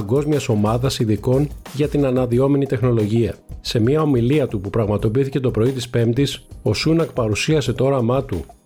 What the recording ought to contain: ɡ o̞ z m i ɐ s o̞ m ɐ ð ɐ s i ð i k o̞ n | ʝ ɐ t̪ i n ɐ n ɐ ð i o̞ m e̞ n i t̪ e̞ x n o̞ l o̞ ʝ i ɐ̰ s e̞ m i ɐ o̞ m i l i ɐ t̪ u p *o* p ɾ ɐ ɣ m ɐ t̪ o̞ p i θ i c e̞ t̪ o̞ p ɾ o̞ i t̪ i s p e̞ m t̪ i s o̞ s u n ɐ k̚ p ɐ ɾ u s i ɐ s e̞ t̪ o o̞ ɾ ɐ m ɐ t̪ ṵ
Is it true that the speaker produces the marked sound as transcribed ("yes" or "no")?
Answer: no